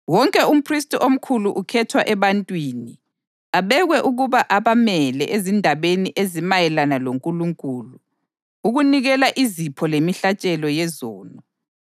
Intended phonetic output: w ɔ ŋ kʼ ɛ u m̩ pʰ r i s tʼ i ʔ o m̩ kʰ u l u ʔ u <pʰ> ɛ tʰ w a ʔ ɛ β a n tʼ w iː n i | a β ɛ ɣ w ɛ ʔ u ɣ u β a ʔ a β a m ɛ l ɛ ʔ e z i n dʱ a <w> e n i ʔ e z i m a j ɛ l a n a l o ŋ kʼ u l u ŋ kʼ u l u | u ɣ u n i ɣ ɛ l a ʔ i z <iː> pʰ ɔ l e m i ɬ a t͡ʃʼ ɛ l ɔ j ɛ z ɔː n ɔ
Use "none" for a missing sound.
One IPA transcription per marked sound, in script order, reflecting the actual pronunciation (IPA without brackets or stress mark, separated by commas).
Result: kʰ, β, i